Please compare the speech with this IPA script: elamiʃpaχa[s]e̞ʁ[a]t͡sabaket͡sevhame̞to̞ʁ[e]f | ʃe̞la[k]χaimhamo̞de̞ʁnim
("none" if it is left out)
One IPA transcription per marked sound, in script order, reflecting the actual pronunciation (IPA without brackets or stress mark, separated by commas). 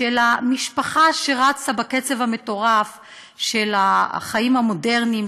ʃ, a, a, none